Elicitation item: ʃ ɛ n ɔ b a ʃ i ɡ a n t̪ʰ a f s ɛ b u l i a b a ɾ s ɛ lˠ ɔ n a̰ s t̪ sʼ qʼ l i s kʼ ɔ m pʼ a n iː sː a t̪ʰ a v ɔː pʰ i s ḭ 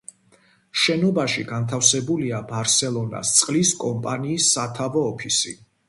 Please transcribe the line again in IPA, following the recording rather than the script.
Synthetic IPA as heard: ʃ ɛ n ɔ b a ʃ i ɡ a n t̪ʰ a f s ɛ b u l i a b a ɾ s ɛ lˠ ɔ n a̰ s t̪ sʼ qʼ l i s kʼ ɔ m pʼ a n iː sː a t̪ʰ a v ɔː pʰ i s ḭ